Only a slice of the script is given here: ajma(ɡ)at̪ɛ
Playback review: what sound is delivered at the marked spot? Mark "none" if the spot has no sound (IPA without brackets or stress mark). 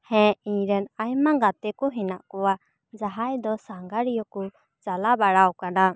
ɡ